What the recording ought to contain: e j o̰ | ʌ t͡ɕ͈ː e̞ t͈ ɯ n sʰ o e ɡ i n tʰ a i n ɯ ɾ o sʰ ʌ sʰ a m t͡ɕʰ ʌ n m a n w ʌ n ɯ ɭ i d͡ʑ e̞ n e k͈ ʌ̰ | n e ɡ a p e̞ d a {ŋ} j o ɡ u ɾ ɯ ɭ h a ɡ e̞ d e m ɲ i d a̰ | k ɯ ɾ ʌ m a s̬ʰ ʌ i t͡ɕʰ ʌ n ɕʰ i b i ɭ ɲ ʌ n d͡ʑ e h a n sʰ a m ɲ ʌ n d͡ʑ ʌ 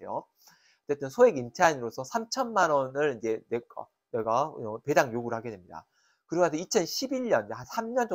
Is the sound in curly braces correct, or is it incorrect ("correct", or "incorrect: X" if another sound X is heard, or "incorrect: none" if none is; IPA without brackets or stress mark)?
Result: correct